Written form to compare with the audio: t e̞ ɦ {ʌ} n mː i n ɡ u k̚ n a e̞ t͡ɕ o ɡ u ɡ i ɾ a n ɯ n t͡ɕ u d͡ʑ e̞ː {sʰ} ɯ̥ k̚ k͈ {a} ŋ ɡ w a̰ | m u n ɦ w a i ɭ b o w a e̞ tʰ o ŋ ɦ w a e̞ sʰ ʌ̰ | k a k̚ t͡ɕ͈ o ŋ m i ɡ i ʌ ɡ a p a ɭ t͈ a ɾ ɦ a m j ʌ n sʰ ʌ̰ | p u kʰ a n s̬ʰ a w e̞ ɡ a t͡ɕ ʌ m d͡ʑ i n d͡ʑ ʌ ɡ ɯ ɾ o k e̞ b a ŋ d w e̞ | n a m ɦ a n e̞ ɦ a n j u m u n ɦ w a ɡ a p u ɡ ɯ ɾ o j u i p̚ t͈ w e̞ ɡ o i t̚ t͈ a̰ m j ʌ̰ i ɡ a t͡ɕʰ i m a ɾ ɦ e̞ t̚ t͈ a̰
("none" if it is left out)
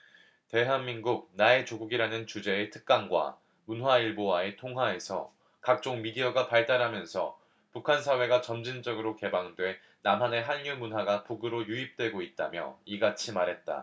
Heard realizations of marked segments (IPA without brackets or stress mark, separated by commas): a, tʰ, a